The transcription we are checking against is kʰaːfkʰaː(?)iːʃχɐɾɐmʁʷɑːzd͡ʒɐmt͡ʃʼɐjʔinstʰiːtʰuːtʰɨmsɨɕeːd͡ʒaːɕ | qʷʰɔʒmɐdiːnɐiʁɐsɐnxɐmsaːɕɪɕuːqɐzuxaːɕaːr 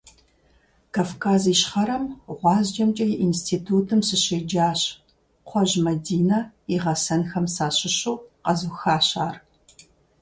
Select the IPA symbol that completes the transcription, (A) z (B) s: A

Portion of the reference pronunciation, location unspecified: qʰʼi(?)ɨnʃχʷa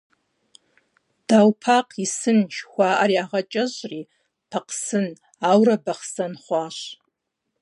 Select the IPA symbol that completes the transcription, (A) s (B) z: A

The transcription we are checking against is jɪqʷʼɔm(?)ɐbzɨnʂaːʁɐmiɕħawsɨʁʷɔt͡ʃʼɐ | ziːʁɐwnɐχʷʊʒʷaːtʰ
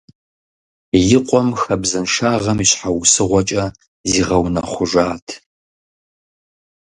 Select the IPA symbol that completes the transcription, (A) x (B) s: A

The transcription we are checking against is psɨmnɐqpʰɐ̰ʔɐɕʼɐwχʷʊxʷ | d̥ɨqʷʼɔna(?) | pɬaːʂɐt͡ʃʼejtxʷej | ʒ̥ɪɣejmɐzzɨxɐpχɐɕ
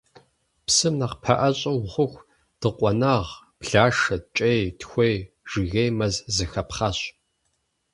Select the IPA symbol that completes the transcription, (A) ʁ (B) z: A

